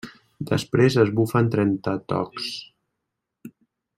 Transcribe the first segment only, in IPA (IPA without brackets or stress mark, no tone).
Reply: d̪